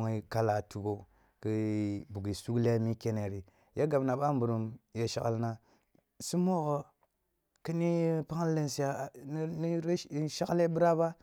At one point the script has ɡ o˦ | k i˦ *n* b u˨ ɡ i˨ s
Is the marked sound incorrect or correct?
incorrect